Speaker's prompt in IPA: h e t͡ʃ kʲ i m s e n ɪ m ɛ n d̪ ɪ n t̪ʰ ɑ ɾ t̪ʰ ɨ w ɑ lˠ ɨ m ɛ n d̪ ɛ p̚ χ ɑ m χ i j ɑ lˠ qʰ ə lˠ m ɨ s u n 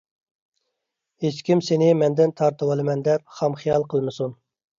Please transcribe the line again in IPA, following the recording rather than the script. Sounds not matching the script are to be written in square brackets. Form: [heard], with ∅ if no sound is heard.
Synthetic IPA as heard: h e t͡ʃ kʲ i m s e n ɪ m ɛ n d̪ ɪ n t̪ʰ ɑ ɾ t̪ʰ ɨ w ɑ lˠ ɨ m ɛ n d̪ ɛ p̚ χ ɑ m χ i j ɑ lˠ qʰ ə lˠ m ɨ s u n